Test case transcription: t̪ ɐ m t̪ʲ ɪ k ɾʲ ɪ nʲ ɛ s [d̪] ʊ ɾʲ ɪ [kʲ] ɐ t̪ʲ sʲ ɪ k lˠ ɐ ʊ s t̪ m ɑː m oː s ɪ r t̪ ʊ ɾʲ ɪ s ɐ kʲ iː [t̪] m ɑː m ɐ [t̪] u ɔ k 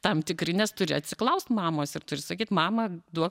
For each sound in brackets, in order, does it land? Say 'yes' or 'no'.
no, no, yes, no

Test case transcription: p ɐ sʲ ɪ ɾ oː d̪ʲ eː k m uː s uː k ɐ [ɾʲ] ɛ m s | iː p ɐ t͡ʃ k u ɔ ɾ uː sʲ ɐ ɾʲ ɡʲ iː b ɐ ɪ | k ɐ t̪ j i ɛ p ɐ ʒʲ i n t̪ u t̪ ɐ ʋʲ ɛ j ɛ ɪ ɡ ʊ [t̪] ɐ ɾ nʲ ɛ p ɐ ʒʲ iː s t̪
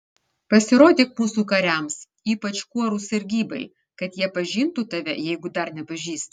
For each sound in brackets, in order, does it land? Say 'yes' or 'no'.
yes, no

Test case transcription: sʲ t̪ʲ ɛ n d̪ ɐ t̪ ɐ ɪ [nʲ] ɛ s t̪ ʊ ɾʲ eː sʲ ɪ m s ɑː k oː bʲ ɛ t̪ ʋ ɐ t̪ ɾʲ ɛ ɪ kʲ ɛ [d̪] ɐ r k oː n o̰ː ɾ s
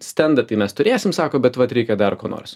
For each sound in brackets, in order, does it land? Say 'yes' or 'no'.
no, yes

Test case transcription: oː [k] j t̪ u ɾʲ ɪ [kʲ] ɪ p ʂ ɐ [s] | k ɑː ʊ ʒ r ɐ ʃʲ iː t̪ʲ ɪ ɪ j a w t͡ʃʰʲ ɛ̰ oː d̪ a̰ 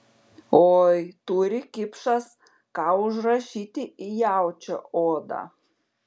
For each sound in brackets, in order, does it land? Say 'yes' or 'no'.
no, yes, yes

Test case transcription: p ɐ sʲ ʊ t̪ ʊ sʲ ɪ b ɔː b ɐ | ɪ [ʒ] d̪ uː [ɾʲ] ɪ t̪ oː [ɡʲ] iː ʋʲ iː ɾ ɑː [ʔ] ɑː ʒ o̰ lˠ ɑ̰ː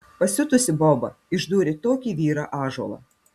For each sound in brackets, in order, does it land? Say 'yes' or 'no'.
yes, yes, no, yes

